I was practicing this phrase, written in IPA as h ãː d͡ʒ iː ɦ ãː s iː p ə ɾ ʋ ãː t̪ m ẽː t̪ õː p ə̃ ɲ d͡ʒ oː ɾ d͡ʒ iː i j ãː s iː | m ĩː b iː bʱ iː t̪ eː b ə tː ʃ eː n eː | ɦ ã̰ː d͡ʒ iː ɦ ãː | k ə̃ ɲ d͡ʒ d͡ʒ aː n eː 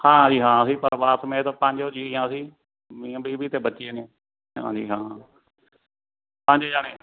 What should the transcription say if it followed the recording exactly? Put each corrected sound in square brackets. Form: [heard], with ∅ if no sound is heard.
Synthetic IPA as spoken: h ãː d͡ʒ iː ɦ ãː s iː p ə ɾ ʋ [aː] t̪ m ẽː t̪ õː p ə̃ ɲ d͡ʒ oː [∅] d͡ʒ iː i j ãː s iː | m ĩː b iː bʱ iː t̪ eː b ə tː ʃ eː n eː | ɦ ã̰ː d͡ʒ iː ɦ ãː | [p] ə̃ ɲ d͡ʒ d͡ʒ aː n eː